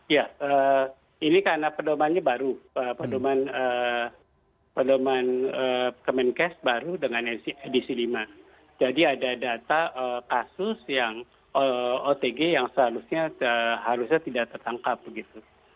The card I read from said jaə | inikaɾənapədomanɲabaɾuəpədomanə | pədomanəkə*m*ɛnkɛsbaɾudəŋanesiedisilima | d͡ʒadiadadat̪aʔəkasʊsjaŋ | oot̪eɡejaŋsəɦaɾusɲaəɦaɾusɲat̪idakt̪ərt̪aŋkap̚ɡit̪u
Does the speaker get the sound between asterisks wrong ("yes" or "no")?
no